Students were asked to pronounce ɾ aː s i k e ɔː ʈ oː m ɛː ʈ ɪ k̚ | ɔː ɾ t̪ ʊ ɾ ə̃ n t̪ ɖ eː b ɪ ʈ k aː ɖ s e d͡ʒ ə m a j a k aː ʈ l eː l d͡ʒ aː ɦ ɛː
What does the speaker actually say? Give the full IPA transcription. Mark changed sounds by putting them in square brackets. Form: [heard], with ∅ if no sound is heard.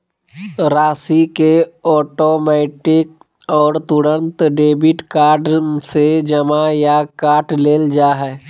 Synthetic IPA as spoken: ɾ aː s i k e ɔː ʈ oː m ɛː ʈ ɪ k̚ | ɔː ɾ t̪ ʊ ɾ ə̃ n t̪ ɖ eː b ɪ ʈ k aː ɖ s e d͡ʒ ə m a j a k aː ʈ l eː l d͡ʒ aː ɦ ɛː